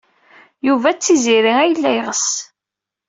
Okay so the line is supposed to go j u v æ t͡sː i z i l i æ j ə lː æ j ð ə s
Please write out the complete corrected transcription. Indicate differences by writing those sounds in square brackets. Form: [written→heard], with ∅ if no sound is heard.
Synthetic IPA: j u v æ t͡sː i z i [l→ɾ] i æ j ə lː æ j [ð→ʁ] ə s